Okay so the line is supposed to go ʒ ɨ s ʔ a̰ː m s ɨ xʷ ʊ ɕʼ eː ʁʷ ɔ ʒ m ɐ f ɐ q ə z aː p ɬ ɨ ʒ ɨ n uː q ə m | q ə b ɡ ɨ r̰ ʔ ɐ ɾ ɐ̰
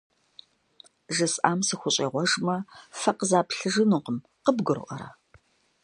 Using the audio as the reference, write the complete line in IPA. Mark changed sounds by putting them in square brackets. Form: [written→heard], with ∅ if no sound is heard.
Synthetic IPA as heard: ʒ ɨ s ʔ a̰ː m s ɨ xʷ ʊ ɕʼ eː ʁʷ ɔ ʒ m ɐ f ɐ q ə z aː p ɬ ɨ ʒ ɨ n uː q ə m | q ə b ɡ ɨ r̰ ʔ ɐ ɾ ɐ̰